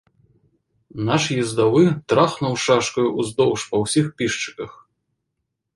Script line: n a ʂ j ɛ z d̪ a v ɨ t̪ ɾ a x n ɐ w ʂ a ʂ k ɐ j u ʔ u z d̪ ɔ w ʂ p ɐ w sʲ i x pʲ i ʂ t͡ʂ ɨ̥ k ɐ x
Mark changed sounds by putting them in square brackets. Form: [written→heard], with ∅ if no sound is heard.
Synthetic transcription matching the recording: n a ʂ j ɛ z d̪ a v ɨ t̪ ɾ a x n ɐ w ʂ a ʂ k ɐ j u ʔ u z d̪ ɔ w ʂ p ɐ w sʲ i x pʲ i ʂ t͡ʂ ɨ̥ k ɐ x